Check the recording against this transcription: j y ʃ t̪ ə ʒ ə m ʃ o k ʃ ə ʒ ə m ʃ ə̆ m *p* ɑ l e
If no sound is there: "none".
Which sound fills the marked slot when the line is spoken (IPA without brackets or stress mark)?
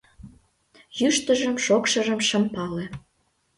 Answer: p